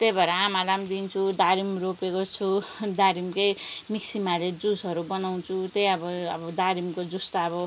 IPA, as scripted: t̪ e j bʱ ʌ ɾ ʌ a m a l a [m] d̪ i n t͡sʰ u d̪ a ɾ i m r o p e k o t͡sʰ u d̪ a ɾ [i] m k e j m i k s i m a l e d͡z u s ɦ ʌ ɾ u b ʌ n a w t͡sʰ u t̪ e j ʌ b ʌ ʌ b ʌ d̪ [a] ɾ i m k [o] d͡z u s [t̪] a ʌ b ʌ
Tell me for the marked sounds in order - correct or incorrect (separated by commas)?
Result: correct, correct, correct, correct, correct